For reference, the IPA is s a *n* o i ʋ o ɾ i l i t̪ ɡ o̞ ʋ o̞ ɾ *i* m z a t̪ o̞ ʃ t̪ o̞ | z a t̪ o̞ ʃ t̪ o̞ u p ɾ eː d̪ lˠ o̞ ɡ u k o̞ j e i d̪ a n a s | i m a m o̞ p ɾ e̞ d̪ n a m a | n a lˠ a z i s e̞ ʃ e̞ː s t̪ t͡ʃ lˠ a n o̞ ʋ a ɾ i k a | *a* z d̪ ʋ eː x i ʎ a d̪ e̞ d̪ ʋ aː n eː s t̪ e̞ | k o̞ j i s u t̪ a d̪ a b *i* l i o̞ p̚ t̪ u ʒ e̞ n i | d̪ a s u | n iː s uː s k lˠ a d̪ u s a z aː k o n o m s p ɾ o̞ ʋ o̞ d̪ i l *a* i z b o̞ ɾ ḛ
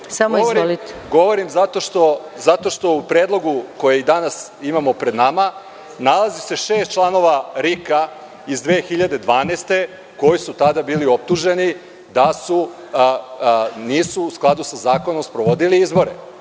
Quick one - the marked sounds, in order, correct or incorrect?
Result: incorrect: m, correct, incorrect: i, incorrect: iː, incorrect: i

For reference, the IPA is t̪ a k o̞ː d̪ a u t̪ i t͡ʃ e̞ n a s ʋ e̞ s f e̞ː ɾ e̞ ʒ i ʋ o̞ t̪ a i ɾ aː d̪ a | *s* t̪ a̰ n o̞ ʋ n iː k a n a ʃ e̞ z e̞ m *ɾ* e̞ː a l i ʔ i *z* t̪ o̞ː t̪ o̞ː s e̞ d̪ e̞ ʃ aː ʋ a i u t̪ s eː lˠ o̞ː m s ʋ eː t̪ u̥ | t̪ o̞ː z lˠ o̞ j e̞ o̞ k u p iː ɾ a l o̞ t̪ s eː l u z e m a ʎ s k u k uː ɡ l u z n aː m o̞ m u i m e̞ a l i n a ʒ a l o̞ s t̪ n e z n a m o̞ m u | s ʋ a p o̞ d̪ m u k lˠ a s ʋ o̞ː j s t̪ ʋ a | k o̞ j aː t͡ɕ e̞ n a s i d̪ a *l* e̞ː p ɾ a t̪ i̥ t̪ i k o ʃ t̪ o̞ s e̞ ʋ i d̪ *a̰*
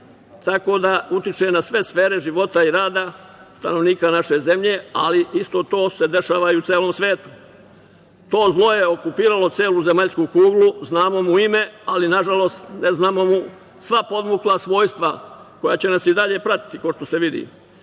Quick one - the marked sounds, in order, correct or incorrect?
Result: correct, incorrect: ʎ, incorrect: s, incorrect: ʎ, incorrect: ḭ

